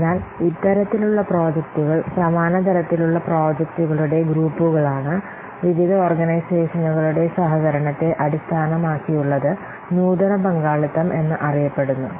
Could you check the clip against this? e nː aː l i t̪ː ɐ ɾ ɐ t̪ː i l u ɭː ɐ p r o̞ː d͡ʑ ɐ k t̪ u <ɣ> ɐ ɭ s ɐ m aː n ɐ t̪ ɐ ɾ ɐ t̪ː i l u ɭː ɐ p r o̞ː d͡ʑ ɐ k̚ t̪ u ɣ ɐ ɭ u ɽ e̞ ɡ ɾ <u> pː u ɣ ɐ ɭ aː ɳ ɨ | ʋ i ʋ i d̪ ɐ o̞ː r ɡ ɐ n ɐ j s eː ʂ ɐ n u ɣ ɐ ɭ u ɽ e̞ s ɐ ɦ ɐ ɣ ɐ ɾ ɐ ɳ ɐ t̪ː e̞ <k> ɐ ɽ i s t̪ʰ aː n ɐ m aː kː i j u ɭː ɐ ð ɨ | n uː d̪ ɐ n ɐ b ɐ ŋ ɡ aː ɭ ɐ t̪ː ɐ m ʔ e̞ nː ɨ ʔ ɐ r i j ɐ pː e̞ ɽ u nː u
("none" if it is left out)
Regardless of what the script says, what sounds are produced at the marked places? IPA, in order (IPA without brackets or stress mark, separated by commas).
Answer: ɣ, uː, ʔ